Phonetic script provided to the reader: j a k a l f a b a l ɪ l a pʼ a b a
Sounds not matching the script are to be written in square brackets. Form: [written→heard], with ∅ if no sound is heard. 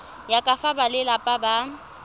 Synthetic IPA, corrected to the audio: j a [k→kʼ] a [l→∅] f a b a l ɪ l a pʼ a b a